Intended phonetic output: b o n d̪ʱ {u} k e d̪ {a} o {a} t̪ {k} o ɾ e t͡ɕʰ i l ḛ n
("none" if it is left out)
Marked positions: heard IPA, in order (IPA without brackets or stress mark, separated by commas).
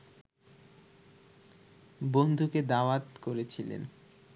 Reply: u, a, a, k